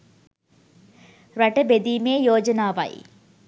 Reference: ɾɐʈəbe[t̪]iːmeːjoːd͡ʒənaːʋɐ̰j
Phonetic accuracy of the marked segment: incorrect: d̪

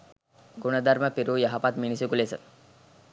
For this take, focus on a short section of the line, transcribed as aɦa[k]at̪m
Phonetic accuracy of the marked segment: incorrect: p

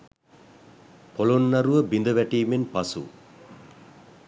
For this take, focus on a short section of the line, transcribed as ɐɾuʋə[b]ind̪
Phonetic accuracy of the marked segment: correct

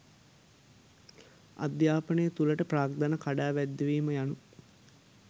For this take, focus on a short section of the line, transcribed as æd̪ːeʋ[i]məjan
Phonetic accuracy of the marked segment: incorrect: iː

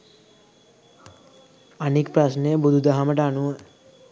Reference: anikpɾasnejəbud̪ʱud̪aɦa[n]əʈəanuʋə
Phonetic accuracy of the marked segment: incorrect: m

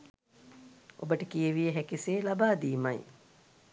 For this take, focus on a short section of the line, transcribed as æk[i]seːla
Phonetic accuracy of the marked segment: correct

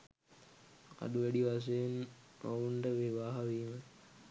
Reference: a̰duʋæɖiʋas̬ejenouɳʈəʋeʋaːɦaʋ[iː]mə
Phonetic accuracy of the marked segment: correct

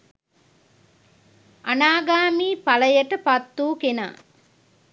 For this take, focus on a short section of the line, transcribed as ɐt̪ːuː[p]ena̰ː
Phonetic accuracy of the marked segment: incorrect: k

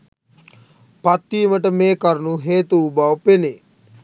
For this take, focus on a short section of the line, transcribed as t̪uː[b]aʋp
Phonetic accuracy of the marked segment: correct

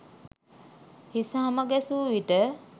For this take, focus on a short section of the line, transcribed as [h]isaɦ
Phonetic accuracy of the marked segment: correct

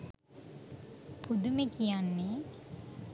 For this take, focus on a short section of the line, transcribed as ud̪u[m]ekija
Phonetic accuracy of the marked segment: correct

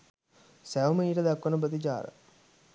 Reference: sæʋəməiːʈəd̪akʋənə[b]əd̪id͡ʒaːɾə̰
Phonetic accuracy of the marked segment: correct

